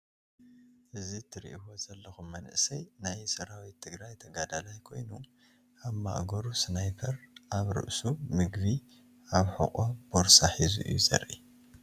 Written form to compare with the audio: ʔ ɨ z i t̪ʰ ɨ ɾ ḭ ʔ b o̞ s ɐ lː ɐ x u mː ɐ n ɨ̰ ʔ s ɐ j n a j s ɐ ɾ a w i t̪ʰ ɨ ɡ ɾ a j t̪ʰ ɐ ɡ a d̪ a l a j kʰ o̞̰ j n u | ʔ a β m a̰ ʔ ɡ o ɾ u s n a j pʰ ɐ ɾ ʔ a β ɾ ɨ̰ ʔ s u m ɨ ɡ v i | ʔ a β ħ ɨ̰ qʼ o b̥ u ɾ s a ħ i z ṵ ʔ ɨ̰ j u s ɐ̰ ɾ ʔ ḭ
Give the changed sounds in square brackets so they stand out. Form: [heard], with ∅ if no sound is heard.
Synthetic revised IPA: ʔ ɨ z i t̪ʰ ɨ ɾ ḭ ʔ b o̞ [z] ɐ lː ɐ x u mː ɐ n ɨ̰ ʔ s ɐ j n a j s ɐ ɾ a w i t̪ʰ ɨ ɡ ɾ a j t̪ʰ ɐ ɡ a d̪ a l a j kʰ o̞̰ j n u | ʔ a β m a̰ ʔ ɡ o ɾ u s n a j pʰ ɐ ɾ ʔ a β ɾ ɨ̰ ʔ s u m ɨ ɡ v i | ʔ a β ħ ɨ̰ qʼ o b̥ [o] ɾ s a ħ i z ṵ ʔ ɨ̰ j u [z] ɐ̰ ɾ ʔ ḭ